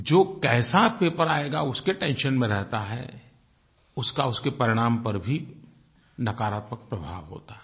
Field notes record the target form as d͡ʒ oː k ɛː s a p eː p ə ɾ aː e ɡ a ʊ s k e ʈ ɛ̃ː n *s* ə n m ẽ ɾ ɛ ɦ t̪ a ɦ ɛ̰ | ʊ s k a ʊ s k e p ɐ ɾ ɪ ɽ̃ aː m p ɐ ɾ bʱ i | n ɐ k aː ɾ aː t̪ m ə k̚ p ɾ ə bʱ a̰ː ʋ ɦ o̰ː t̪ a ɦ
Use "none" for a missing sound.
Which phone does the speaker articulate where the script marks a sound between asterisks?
ʃ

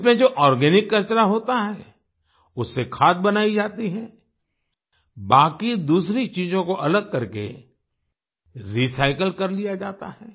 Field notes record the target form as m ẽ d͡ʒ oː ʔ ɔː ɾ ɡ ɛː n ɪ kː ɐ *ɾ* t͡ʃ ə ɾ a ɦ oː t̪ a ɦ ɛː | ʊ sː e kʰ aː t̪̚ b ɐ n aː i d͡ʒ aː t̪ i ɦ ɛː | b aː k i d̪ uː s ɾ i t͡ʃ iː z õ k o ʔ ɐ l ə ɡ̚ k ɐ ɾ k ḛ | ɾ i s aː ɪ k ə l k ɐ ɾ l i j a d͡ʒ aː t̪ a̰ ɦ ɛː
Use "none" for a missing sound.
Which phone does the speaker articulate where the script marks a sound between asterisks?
ɾ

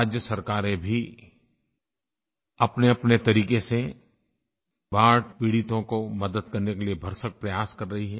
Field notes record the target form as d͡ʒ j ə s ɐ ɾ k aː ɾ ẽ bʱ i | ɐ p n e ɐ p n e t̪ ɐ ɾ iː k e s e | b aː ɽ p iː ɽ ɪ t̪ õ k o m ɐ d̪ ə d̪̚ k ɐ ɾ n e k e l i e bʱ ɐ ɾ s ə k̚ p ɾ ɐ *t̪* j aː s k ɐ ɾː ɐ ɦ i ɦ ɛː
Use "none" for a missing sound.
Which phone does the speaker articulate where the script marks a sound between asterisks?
none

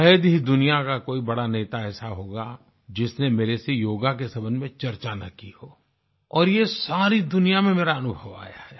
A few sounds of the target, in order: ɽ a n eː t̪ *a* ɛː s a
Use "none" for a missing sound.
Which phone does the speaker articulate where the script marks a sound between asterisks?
a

